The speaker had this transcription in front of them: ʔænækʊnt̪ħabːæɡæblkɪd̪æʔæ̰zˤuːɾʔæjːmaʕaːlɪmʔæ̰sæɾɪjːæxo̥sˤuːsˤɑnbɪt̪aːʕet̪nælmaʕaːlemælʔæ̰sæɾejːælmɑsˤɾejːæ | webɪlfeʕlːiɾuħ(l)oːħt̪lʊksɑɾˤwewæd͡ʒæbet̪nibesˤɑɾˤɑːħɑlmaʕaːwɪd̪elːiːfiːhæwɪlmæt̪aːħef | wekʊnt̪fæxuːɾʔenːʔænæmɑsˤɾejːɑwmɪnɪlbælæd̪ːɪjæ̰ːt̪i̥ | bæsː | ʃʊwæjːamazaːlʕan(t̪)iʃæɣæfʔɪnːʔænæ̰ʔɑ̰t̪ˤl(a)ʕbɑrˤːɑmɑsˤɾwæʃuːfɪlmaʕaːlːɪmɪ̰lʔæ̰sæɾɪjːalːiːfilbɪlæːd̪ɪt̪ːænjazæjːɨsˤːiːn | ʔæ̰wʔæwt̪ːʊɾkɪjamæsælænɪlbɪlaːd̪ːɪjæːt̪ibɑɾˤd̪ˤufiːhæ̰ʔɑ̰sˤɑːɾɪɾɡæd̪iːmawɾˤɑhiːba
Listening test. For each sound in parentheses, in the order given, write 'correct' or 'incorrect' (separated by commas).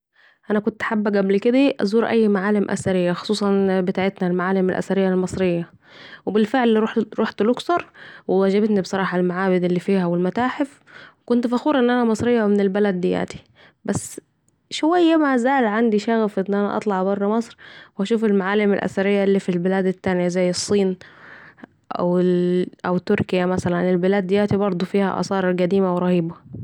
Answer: incorrect, incorrect, incorrect